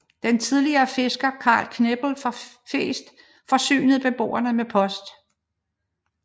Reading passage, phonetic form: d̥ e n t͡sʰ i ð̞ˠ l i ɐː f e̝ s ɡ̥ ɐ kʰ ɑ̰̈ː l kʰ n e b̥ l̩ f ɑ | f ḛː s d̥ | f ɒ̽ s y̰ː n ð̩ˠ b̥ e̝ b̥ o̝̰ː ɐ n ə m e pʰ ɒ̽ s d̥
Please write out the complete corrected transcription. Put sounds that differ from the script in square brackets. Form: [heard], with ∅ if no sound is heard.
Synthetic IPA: d̥ e n t͡sʰ i ð̞ˠ l i ɐː f e̝ s ɡ̥ ɐ kʰ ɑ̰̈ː l kʰ n e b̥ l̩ f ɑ | f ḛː s d̥ | f ɒ̽ s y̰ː n ð̩ˠ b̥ e̝ b̥ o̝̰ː ɐ n ə m e pʰ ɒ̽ s d̥